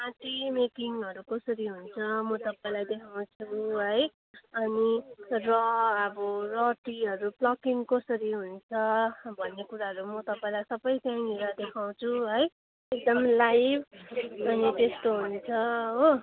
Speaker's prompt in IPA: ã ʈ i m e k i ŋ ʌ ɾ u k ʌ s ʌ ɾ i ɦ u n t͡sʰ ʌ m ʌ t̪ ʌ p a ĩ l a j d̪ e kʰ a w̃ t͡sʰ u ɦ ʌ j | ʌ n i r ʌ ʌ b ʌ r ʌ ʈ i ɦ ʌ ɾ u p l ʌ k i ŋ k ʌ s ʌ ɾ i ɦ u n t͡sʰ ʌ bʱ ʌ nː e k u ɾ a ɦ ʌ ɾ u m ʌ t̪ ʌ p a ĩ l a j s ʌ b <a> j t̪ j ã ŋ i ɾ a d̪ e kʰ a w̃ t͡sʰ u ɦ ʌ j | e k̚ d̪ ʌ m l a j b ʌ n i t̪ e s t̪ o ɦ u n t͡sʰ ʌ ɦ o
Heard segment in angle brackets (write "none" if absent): ʌ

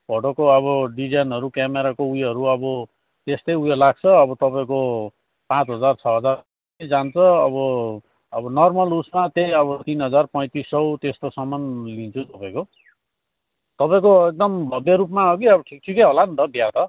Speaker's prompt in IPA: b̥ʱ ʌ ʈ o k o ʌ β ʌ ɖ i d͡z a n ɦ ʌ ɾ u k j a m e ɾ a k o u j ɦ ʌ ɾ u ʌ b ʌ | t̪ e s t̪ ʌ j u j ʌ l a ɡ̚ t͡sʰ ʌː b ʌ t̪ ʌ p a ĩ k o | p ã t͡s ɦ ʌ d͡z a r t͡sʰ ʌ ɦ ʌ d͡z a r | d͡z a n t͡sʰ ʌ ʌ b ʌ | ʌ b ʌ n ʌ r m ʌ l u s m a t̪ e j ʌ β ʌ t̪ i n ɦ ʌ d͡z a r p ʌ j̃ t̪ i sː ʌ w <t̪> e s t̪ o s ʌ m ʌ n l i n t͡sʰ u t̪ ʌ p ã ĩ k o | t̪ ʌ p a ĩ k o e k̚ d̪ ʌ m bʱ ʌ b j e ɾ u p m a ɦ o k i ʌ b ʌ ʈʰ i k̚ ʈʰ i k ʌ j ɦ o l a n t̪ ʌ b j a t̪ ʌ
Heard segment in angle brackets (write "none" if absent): t̪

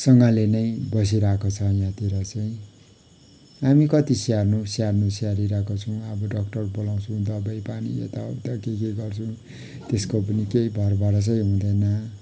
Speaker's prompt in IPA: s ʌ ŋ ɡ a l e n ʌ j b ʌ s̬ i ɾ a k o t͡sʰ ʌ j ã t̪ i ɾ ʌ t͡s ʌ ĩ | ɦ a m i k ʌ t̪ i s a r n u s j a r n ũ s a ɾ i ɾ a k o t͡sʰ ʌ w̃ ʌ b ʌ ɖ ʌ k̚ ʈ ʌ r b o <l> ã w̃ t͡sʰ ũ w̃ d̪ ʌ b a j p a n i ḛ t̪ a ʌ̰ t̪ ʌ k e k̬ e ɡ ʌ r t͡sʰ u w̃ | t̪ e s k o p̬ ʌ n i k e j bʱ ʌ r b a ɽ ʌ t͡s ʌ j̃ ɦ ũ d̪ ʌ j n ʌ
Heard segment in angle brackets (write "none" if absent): l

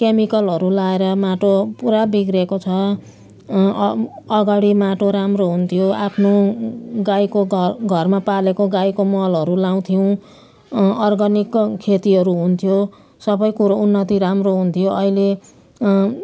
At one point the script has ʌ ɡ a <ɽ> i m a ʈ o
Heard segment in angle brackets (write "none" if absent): ɽ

